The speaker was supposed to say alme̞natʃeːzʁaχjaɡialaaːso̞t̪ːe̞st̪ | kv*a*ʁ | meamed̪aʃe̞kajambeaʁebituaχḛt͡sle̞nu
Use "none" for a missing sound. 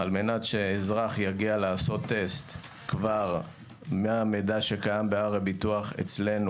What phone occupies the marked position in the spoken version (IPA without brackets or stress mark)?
a